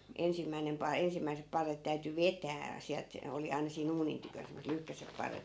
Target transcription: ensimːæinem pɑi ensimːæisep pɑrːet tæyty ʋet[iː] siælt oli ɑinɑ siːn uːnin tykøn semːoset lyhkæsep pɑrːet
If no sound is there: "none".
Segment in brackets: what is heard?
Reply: æː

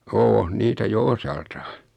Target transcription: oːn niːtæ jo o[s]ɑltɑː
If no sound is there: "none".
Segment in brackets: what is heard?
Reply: s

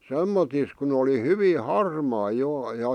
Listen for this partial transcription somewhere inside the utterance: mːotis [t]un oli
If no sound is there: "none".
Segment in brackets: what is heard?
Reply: k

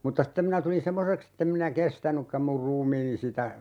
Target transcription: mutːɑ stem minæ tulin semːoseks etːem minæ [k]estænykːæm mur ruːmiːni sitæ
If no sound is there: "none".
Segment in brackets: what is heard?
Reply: k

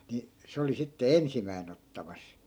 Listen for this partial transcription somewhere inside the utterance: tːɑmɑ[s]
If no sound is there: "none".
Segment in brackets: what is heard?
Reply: s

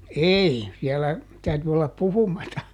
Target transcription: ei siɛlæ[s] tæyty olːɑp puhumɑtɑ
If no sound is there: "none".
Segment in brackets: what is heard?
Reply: none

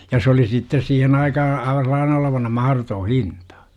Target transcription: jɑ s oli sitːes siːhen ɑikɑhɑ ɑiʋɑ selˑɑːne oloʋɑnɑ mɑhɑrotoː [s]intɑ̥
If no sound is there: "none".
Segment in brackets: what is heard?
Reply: h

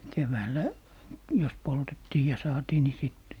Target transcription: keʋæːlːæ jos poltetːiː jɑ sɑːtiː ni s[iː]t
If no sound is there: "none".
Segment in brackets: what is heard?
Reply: i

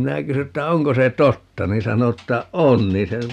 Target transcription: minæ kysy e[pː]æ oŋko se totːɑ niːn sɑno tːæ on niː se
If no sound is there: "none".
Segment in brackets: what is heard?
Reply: tː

